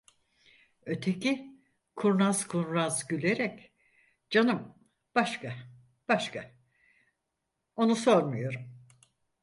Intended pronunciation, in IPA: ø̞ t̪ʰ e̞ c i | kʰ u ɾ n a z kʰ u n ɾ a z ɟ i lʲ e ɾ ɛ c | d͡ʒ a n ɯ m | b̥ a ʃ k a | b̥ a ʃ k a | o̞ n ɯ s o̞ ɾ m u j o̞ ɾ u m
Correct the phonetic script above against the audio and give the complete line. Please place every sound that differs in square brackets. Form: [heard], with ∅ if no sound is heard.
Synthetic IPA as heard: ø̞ t̪ʰ e̞ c i | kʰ u ɾ n a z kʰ u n ɾ a z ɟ [y] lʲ e ɾ ɛ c | d͡ʒ a n ɯ m | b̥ a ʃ k a | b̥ a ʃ k a | o̞ n [u] s o̞ ɾ m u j o̞ ɾ u m

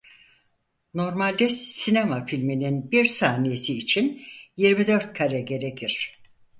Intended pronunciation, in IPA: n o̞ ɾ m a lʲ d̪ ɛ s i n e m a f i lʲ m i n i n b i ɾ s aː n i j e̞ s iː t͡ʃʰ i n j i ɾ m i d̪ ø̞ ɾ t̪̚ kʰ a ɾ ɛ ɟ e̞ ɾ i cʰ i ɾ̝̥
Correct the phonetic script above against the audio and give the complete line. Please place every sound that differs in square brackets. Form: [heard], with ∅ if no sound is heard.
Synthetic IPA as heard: n o̞ ɾ m a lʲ d̪ ɛ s i n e m a f i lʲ m i n i n b i ɾ s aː n i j e̞ s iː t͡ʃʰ i n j i ɾ m i d̪ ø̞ ɾ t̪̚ kʰ a ɾ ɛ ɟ e̞ ɾ [e] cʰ i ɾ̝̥

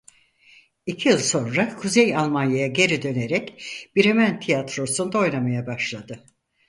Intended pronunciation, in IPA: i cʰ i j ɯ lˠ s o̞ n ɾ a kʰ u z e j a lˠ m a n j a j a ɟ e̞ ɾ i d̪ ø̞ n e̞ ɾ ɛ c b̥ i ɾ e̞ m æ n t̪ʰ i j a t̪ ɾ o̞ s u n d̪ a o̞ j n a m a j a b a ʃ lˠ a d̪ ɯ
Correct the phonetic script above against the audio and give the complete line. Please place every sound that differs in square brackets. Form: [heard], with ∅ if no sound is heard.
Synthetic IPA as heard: i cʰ i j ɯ lˠ s o̞ n ɾ a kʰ u z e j a lˠ m a n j a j a ɟ e̞ ɾ i d̪ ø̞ n e̞ ɾ ɛ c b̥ i ɾ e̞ m æ n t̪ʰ i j a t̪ ɾ o̞ s u n d̪ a o̞ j n a m a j a b a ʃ lˠ a d̪ ɯ

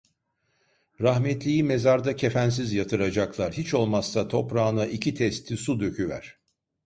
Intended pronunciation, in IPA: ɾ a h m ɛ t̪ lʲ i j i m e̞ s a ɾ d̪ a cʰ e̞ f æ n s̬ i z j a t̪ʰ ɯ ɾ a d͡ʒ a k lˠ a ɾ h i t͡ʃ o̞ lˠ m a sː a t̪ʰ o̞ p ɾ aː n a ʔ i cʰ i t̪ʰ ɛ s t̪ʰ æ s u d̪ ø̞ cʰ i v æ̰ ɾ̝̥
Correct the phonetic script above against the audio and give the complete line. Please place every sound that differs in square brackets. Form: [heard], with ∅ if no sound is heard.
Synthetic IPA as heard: ɾ a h m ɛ t̪ lʲ i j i m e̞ [z] a ɾ d̪ a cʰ e̞ f æ n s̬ i z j a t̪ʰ ɯ ɾ a d͡ʒ a k lˠ a ɾ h i t͡ʃ o̞ lˠ m a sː a t̪ʰ o̞ p ɾ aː n a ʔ i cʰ i t̪ʰ ɛ s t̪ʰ [i] s u d̪ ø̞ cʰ [y] v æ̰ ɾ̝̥

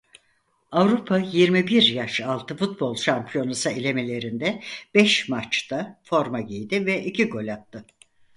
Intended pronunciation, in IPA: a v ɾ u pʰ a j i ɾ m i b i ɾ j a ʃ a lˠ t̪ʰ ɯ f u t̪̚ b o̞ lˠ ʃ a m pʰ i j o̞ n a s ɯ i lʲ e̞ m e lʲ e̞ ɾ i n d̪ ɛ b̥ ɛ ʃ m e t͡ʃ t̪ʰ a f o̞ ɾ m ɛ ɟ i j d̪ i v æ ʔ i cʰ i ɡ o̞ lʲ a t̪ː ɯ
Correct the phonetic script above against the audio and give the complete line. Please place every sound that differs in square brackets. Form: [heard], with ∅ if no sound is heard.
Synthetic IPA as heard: a v ɾ u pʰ a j i ɾ m i b i ɾ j a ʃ a lˠ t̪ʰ ɯ f u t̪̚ b o̞ lˠ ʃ a m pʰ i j o̞ n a s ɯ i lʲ e̞ m e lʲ e̞ ɾ i n d̪ ɛ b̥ ɛ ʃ m [a] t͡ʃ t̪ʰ a f o̞ ɾ m [a] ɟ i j d̪ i v [ɛ] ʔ i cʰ i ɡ o̞ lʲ a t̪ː ɯ

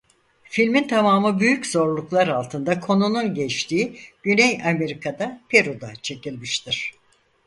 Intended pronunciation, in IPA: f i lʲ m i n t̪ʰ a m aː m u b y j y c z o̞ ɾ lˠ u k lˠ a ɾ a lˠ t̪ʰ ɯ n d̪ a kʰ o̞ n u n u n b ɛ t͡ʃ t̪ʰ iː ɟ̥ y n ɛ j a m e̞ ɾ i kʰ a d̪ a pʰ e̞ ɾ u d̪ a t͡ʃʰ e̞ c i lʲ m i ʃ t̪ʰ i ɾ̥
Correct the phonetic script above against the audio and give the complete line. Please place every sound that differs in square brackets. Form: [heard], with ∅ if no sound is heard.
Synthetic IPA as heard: f i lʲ m i n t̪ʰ a m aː m [ɯ] b y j y c z o̞ ɾ lˠ u k lˠ a ɾ a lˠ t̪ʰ ɯ n d̪ a kʰ o̞ n u n u n [ɟ] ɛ t͡ʃ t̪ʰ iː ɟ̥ y n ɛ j a m e̞ ɾ i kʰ a d̪ a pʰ e̞ ɾ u d̪ a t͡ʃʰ e̞ c i lʲ m i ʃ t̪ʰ i ɾ̥

